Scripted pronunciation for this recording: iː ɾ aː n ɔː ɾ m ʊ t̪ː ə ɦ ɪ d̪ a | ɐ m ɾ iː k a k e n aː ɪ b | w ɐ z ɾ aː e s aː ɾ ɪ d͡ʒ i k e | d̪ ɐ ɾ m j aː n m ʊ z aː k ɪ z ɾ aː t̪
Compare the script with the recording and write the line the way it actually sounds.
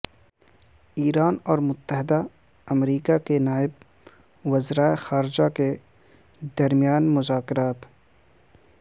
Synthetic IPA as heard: iː ɾ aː n ɔː ɾ m ʊ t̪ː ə ɦ ɪ d̪ a | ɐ m ɾ iː k a k e n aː ɪ b | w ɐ z ɾ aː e x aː ɾ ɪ d͡ʒ a k e | d̪ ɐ ɾ m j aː n m ʊ z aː k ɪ ɾ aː t̪